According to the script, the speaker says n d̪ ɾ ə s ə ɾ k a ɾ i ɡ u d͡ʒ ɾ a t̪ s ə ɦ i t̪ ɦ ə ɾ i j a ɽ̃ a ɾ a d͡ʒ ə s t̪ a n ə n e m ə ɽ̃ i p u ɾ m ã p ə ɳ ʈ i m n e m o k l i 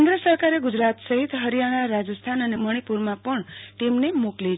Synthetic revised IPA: n d̪ ɾ ə s ə ɾ k a ɾ e ɡ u d͡ʒ ɾ a t̪ s ə ɦ i t̪ ɦ ə ɾ i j a ɽ̃ a ɾ a d͡ʒ ə s t̪ʰ a n ə n e m ə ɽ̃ i p u ɾ m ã p ə ɳ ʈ i m n e m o k l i